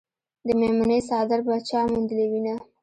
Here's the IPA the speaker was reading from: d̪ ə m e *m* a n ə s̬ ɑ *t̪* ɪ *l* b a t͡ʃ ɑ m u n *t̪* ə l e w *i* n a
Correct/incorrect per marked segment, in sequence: correct, incorrect, incorrect, incorrect, correct

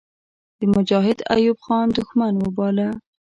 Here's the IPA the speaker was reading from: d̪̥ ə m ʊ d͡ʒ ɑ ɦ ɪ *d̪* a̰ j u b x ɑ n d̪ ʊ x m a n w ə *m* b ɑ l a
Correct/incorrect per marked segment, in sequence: correct, incorrect

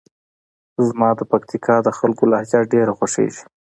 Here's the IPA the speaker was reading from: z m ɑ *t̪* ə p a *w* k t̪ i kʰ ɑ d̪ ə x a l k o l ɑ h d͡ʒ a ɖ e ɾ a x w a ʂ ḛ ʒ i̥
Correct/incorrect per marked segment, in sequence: incorrect, incorrect

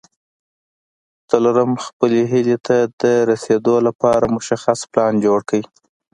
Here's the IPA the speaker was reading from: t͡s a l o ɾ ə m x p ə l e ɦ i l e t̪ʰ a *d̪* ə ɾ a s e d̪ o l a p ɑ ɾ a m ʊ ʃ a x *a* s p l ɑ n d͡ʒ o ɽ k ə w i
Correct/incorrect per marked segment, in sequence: correct, correct

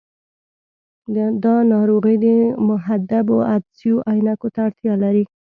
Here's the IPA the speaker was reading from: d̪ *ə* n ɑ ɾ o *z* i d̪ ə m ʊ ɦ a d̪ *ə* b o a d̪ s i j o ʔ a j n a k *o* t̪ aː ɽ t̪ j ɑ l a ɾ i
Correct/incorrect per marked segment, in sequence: incorrect, incorrect, incorrect, correct

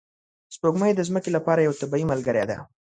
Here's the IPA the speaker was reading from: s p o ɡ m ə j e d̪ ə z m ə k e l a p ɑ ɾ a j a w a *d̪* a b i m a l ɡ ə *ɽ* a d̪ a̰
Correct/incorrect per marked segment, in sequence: incorrect, incorrect

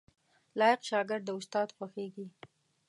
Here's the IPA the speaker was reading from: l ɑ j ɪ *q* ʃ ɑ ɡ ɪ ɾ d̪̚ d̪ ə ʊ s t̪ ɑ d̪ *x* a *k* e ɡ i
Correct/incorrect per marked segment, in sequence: correct, correct, incorrect

